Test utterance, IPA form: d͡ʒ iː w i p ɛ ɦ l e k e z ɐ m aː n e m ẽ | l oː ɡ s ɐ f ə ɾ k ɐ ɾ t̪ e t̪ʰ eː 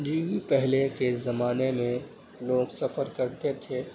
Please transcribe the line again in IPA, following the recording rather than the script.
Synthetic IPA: d͡ʒ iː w i p ɛ ɦ l e k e z ɐ m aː n e m ẽ | l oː ɡ s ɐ f ə ɾ k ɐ ɾ t̪ e t̪ʰ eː